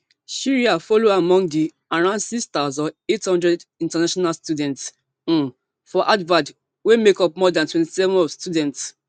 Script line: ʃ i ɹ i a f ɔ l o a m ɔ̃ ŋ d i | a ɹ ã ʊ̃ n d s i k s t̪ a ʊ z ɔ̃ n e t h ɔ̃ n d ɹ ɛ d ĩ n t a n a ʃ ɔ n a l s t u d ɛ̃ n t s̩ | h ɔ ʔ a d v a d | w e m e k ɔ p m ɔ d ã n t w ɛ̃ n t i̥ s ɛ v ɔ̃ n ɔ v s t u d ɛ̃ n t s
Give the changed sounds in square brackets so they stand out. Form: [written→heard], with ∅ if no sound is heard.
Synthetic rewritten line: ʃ i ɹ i a f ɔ l o a m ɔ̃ ŋ d i | a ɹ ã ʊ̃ n d s i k s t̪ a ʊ z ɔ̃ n e t h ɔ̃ n d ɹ ɛ d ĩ n t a n a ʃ ɔ n a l s t u d ɛ̃ n t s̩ | [h→f] ɔ ʔ a d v a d | w e m e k ɔ p m ɔ d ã n t w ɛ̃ n t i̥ s ɛ v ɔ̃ n ɔ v s t u d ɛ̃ n t s